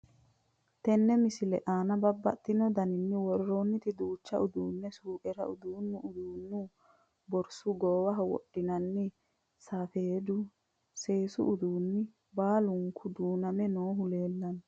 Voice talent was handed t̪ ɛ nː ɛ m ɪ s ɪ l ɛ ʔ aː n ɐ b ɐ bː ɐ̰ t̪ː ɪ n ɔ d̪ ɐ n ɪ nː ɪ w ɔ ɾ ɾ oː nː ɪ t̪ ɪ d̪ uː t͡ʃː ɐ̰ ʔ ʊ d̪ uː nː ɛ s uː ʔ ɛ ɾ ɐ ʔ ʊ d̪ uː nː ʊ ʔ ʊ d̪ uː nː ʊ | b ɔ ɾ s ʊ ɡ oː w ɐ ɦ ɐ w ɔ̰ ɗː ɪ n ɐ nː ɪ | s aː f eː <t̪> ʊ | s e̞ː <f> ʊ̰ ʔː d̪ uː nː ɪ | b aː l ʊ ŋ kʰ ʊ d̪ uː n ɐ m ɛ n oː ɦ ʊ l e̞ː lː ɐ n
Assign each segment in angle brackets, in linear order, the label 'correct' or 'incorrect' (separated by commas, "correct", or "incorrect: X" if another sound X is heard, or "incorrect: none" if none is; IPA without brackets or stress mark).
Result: incorrect: d̪, incorrect: s